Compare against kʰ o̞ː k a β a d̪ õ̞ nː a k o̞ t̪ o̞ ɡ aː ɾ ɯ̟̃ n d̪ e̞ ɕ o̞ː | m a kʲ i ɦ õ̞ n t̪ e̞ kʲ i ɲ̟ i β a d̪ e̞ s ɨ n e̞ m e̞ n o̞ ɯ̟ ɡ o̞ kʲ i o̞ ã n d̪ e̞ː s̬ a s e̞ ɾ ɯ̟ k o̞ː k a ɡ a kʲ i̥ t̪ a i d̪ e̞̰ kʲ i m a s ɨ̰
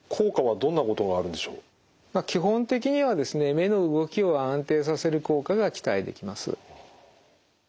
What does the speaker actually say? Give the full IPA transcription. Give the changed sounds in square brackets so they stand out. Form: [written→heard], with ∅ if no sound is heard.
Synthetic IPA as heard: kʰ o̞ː k a β a d̪ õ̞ nː a k o̞ t̪ o̞ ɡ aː ɾ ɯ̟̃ n d̪ e̞ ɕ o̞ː | m a kʲ i ɦ õ̞ n t̪ e̞ kʲ i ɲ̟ i β a d̪ e̞ s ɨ n e̞ m e̞ n o̞ ɯ̟ ɡ o̞ kʲ i o̞ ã n [d̪→t̪] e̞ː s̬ a s e̞ ɾ ɯ̟ k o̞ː k a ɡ a kʲ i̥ t̪ a i d̪ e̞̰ kʲ i m a s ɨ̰

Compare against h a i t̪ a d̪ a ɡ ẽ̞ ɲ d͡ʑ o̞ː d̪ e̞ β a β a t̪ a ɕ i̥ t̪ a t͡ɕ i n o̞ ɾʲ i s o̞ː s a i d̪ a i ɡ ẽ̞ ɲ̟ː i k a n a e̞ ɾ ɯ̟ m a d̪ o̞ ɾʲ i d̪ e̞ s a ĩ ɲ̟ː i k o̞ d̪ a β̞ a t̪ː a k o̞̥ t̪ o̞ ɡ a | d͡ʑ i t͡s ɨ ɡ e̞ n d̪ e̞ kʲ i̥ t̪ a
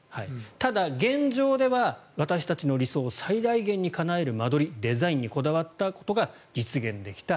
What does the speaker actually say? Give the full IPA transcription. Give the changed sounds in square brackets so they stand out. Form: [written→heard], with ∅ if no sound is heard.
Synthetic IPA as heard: h a i t̪ a d̪ a ɡ ẽ̞ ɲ d͡ʑ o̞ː d̪ e̞ β a β a t̪ a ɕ i̥ t̪ a t͡ɕ i n o̞ ɾʲ i s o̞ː s a i d̪ a i ɡ ẽ̞ ɲ̟ː i k a n a e̞ ɾ ɯ̟ m a d̪ o̞ ɾʲ i d̪ e̞ [s→z] a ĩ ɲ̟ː i k o̞ d̪ a β̞ a t̪ː a k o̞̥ t̪ o̞ ɡ a | d͡ʑ i t͡s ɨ ɡ [e̞→ẽ̞] n d̪ e̞ kʲ i̥ t̪ a

